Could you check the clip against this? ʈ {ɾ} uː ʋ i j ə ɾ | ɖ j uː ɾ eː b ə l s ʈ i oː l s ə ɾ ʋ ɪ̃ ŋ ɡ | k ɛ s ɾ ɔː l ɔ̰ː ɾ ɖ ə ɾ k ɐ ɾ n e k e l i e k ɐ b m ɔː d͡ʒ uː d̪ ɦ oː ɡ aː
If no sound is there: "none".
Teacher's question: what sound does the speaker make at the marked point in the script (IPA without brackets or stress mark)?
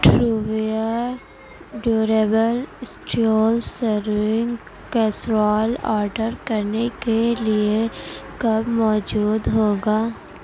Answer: ɾ